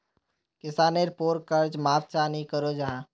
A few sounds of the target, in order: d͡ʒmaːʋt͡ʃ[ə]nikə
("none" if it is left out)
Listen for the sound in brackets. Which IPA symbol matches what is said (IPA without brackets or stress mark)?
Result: a